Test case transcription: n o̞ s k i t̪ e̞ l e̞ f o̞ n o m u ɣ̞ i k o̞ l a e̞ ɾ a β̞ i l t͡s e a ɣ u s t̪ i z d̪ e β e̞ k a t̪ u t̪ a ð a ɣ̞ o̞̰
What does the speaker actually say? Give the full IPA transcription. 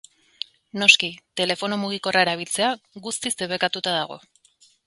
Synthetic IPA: n o̞ s k i t̪ e̞ l e̞ f o̞ n o m u ɣ̞ i k o̞ r a e̞ ɾ a β̞ i l t͡s e a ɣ u s t̪ i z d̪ e β e̞ k a t̪ u t̪ a ð a ɣ̞ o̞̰

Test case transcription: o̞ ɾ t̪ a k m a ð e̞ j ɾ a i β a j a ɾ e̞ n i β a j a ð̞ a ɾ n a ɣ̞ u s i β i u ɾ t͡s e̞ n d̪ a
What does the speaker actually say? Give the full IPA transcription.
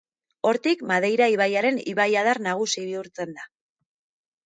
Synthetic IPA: o̞ ɾ t̪ i k m a ð e̞ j ɾ a i β a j a ɾ e̞ n i β a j a ð̞ a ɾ n a ɣ̞ u s i β i u ɾ t͡s e̞ n d̪ a

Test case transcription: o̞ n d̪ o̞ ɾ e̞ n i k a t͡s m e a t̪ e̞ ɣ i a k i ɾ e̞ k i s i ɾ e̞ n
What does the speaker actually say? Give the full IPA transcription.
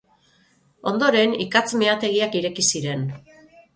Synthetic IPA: o̞ n d̪ o̞ ɾ e̞ n i k a t͡s m e a t̪ e̞ ɣ i a k i ɾ e̞ k i s i ɾ e̞ n

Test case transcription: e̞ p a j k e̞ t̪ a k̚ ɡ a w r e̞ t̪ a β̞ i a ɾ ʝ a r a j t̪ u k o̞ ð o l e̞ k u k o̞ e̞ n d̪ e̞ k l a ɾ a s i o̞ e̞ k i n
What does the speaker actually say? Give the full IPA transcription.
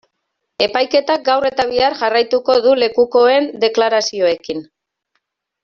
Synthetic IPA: e̞ p a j k e̞ t̪ a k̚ ɡ a w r e̞ t̪ a β̞ i a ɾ ʝ a r a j t̪ u k o̞ ð u l e̞ k u k o̞ e̞ n d̪ e̞ k l a ɾ a s i o̞ e̞ k i n

